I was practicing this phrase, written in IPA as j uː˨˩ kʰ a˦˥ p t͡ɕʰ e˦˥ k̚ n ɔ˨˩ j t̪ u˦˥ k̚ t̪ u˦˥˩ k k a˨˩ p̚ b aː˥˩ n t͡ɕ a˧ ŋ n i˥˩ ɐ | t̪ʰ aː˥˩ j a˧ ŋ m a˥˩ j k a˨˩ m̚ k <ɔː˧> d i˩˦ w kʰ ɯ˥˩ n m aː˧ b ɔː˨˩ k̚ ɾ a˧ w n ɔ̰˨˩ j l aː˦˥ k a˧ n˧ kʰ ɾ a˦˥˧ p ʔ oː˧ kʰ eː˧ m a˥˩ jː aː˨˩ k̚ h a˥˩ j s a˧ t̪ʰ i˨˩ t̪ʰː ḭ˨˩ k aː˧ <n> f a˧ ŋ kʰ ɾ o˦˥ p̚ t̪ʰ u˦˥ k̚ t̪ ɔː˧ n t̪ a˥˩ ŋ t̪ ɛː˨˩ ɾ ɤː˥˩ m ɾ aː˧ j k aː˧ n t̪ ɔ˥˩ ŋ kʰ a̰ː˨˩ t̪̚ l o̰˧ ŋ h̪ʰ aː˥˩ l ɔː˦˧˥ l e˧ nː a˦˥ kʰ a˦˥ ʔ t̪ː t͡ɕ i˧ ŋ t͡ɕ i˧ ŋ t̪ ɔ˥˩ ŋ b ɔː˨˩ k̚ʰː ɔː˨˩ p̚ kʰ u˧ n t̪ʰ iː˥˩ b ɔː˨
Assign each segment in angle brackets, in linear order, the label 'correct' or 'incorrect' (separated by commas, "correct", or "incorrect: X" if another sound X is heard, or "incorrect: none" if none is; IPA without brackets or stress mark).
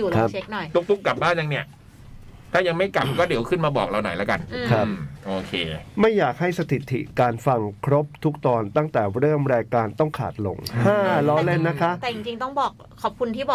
incorrect: ɔː˥˩, correct